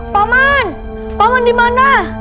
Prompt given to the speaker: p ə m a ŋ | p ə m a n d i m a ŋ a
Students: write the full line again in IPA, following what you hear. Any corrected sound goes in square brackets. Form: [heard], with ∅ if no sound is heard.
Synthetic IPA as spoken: p [a] m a [n] | p [a] m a n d i m a [n] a